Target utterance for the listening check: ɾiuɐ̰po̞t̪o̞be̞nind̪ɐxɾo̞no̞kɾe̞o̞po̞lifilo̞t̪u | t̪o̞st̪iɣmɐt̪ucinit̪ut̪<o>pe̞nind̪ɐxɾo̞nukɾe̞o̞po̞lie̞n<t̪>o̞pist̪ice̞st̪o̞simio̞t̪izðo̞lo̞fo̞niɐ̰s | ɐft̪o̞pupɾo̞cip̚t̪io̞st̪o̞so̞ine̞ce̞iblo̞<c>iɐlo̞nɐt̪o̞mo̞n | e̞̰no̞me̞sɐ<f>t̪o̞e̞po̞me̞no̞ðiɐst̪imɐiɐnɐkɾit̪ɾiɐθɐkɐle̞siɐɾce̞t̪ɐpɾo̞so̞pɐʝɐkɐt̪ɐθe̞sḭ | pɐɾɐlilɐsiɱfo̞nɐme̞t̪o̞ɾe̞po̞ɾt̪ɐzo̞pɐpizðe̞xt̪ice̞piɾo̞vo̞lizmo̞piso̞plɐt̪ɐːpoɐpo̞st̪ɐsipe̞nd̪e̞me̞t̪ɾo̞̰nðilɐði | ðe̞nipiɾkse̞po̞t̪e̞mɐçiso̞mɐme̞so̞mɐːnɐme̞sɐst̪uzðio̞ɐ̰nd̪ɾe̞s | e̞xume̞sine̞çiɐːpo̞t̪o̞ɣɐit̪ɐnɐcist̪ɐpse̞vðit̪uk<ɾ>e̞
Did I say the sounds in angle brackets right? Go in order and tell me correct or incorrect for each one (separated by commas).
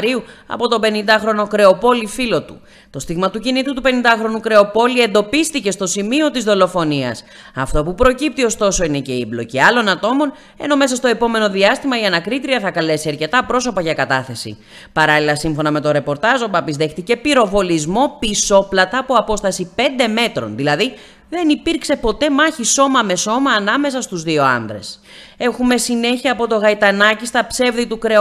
incorrect, incorrect, correct, incorrect, correct